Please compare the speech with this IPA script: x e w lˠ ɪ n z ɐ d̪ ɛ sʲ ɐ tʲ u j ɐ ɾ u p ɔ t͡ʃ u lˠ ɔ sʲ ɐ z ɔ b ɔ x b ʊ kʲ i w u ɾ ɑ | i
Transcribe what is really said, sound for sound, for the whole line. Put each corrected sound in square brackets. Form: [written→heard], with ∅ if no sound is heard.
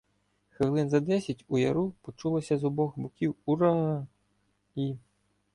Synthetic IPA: x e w lˠ ɪ n z ɐ d̪ ɛ sʲ ɐ tʲ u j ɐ ɾ u p ɔ t͡ʃ u lˠ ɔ sʲ ɐ z ɔ b ɔ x b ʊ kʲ i w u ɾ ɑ | i